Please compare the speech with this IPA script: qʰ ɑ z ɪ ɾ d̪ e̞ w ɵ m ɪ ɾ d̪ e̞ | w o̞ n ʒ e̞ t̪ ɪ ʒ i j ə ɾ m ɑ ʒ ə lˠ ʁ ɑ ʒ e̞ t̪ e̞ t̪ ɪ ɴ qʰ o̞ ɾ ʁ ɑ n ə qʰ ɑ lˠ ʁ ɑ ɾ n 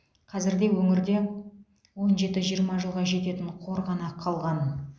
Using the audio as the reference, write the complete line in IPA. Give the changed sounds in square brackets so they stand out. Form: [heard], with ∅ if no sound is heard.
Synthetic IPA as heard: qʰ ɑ z ɪ ɾ d̪ e̞ w ɵ [ŋ] ɪ ɾ d̪ e̞ | w o̞ n ʒ e̞ t̪ ɪ ʒ i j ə ɾ m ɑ ʒ ə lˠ ʁ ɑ ʒ e̞ t̪ e̞ t̪ ɪ ɴ qʰ o̞ ɾ ʁ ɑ n [ɑ] qʰ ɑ lˠ ʁ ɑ [∅] n